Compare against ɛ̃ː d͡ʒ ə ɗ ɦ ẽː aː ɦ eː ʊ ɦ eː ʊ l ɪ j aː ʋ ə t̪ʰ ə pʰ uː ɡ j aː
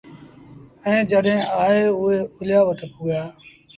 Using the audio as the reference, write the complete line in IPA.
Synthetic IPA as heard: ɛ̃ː d͡ʒ ə ɗ ɦ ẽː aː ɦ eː ʊ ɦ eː ʊ l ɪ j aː ʋ ə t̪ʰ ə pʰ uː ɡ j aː